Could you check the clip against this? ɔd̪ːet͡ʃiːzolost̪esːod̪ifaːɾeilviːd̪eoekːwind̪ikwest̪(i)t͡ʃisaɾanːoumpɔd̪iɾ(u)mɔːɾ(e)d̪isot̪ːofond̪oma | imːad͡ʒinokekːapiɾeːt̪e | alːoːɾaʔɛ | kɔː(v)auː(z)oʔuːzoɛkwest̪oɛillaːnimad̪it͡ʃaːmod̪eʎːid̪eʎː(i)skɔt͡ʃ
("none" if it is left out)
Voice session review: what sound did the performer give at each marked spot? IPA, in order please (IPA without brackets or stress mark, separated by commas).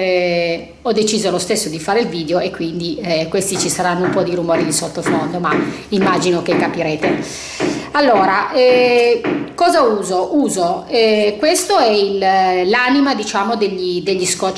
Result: i, u, i, z, z, i